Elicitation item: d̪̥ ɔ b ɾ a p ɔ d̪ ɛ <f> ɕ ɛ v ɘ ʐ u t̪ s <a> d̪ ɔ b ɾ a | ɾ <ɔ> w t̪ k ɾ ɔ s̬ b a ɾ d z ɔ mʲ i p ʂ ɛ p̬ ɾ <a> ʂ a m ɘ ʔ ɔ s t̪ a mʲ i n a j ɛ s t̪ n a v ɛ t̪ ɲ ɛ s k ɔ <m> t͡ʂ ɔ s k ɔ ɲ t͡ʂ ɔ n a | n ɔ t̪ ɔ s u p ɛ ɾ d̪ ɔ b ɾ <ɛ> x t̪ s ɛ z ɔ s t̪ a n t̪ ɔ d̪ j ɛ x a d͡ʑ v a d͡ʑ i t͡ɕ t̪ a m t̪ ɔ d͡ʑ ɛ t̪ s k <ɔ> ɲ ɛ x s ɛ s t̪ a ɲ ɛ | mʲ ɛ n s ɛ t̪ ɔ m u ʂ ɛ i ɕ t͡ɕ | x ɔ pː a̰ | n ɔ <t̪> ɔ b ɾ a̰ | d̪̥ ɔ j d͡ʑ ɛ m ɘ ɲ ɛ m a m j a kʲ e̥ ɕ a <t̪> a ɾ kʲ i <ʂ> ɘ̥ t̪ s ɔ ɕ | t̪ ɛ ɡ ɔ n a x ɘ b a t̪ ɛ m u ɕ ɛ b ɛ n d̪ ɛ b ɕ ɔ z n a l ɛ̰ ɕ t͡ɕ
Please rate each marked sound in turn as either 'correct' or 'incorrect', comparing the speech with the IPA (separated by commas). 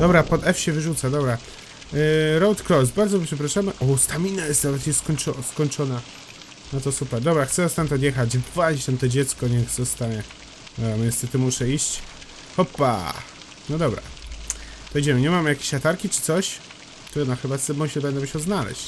correct, correct, correct, correct, incorrect, incorrect, correct, incorrect, correct, incorrect